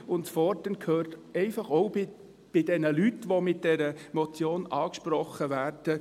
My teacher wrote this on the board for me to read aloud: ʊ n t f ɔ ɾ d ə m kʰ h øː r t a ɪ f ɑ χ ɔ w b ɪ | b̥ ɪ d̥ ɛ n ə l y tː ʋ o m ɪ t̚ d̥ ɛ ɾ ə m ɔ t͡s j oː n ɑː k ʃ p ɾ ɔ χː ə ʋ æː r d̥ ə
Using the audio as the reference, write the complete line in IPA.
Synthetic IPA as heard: ʊ n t f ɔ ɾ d ə n kʰ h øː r t ɛ ɪ f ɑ χ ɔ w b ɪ | b̥ ɪ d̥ ɛ n ə l y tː ʋ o m ɪ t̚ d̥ ɛ ɾ ə m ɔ t͡s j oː n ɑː k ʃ p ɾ ɔ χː ə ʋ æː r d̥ ə